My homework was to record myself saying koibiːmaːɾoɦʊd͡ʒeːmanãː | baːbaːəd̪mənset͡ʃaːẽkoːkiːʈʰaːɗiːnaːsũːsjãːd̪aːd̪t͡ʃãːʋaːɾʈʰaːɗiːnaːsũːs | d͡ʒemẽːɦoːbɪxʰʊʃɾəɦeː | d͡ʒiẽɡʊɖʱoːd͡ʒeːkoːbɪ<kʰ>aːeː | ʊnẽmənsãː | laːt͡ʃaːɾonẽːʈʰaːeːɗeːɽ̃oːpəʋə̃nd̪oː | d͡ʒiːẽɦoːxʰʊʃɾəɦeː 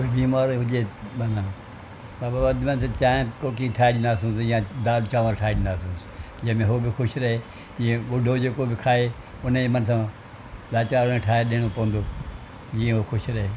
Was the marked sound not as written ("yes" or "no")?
no